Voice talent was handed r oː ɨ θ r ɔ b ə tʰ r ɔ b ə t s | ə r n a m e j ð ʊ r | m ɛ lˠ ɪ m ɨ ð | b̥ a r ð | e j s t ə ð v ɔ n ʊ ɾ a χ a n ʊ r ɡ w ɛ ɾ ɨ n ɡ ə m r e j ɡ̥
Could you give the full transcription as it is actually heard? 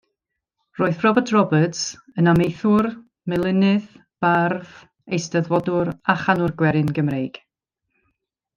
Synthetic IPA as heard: r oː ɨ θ r ɔ b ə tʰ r ɔ b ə t s | ə n a m e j θ ʊ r | m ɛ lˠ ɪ n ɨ ð | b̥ a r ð | e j s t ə ð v ɔ d ʊ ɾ a χ a n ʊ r ɡ w ɛ ɾ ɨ n ɡ ə m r e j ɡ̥